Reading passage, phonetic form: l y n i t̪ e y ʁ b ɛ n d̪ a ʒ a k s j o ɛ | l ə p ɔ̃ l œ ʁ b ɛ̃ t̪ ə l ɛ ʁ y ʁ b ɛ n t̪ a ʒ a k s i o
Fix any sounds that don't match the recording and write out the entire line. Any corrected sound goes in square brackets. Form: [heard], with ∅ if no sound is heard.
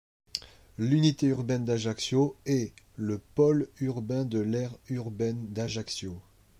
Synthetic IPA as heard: l y n i t̪ e y ʁ b ɛ n d̪ a ʒ a k s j o ɛ | l ə p [ɔ] l [y] ʁ b ɛ̃ [d̪] ə l ɛ ʁ y ʁ b ɛ n [d̪] a ʒ a k s [j] o

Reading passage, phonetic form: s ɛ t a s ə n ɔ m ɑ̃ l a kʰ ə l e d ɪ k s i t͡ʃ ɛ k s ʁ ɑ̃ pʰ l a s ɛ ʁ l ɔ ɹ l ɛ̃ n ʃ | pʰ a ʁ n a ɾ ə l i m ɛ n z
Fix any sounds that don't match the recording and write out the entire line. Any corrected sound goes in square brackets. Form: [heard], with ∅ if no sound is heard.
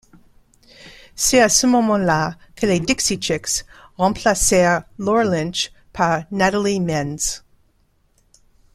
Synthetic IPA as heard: s ɛ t a s ə [m] ɔ m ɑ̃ l a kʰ ə l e d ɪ k s i t͡ʃ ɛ k s ʁ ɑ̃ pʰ l a s ɛ ʁ l ɔ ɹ l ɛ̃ n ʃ | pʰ a ʁ n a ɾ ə l i m ɛ n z

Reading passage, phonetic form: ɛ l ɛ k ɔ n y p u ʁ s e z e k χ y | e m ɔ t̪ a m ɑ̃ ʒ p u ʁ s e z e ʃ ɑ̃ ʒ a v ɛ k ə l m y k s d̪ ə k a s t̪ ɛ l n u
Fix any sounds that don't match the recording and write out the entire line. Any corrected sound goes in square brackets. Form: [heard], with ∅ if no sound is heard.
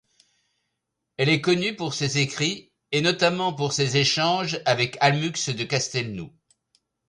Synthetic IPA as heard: ɛ l ɛ k ɔ n y p u ʁ s e z e k χ [i] | e [n] ɔ t̪ a m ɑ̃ [∅] p u ʁ s e z e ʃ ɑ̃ ʒ a v ɛ k [a] l m y k s d̪ ə k a s t̪ ɛ l n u

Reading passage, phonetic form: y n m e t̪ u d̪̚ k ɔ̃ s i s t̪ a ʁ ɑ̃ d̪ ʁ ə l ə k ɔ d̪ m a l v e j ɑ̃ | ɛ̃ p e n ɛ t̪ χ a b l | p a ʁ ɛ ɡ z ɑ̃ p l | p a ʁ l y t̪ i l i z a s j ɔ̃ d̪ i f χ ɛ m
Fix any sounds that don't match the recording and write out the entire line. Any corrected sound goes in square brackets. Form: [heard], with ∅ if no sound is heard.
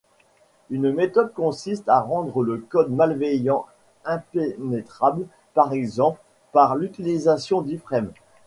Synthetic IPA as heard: y n m e t̪ [ɔ] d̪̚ k ɔ̃ s i s t̪ a ʁ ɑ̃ d̪ ʁ ə l ə k ɔ d̪ m a l v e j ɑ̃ | ɛ̃ p e n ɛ t̪ χ a b l | p a ʁ ɛ ɡ z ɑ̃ p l | p a ʁ l y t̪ i l i z a s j ɔ̃ d̪ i f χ ɛ m

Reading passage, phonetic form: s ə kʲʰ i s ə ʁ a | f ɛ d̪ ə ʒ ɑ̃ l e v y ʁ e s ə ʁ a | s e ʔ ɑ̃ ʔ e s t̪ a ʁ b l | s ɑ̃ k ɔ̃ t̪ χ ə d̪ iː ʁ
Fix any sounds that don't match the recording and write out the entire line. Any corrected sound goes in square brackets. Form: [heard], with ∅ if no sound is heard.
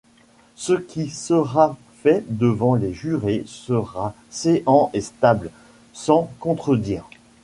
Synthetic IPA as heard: s ə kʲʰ i s ə ʁ a | f ɛ d̪ ə [v] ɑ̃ l e [ʒ] y ʁ e s ə ʁ a | s e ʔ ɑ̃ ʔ e s t̪ a [∅] b l | s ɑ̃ k ɔ̃ t̪ χ ə d̪ iː ʁ

